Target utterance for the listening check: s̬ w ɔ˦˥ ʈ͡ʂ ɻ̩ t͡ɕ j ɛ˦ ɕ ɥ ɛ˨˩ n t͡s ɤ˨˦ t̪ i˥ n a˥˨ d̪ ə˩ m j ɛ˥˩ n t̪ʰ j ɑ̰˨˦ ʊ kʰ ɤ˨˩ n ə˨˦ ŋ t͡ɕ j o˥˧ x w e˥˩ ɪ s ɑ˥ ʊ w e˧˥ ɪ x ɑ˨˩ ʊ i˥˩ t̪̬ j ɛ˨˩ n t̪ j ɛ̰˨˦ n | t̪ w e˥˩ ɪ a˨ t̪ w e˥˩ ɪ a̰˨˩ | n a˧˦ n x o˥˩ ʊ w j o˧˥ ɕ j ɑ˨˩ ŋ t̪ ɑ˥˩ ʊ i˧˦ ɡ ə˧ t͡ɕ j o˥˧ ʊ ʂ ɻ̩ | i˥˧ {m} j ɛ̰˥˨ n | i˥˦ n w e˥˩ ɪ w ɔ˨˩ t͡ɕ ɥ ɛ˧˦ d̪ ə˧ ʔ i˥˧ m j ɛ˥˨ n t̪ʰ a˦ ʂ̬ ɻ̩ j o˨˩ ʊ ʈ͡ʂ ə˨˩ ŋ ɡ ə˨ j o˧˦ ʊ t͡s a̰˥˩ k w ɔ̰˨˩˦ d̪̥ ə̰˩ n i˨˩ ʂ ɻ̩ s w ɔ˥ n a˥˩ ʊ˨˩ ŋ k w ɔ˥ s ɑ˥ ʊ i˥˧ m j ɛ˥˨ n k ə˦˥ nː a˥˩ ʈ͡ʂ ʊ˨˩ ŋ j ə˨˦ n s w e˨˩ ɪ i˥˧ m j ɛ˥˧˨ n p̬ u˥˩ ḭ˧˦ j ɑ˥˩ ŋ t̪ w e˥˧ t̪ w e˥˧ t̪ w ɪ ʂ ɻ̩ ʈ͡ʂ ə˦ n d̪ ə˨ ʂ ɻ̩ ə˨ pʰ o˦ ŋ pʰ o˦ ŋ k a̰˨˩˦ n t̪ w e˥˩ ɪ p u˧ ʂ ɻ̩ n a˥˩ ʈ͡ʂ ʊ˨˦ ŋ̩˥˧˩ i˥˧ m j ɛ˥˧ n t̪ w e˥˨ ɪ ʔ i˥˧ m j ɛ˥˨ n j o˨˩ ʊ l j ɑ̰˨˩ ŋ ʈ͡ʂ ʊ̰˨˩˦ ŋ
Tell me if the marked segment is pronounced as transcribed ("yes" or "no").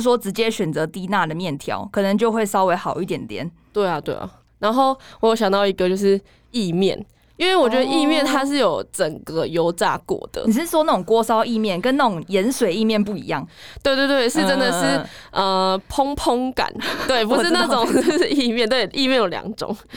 yes